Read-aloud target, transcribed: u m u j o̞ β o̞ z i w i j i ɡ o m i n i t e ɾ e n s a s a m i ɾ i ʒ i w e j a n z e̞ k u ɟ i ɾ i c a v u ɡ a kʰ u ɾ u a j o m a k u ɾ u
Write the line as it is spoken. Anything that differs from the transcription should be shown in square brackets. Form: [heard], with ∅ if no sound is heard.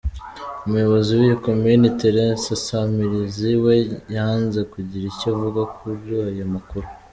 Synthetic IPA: u m u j o̞ β o̞ z i w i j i [k] o m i n i t e ɾ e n s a s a m i ɾ i [z] i w e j a n z e̞ k u ɟ i ɾ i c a v u ɡ a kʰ u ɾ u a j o m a k u ɾ u